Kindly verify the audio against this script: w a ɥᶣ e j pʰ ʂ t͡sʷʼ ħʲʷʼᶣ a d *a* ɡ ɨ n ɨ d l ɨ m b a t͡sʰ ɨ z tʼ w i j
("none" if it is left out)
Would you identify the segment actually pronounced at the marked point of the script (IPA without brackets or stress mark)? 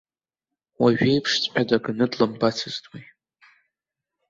a